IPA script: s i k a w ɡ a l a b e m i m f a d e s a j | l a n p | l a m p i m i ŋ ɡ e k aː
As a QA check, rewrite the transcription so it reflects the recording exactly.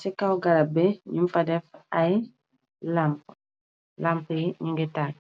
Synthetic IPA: s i k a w ɡ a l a b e ɲ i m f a d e f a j | l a m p | l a m p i ɲ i ŋ ɡ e t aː